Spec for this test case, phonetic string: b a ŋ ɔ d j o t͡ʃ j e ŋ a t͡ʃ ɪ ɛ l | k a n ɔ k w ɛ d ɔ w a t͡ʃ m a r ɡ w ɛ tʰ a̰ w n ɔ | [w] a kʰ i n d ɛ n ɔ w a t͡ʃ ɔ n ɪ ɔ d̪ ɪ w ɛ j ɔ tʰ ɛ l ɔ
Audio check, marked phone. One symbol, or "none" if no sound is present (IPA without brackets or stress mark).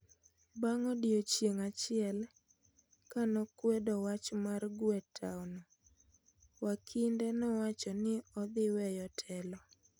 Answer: w